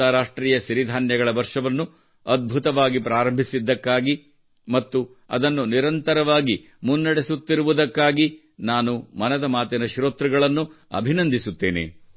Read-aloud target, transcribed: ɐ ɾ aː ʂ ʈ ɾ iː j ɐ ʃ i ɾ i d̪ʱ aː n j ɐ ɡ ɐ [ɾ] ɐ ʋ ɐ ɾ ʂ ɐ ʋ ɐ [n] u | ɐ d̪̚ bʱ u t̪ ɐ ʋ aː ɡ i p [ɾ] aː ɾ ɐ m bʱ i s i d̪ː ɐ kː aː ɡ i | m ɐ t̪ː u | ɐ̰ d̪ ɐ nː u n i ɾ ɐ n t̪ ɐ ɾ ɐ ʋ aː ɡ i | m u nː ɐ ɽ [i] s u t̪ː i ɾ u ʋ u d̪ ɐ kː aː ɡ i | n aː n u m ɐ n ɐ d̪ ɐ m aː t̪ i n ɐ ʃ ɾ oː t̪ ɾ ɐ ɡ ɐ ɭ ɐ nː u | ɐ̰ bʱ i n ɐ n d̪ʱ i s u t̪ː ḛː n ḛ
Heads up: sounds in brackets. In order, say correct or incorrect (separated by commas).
incorrect, incorrect, correct, incorrect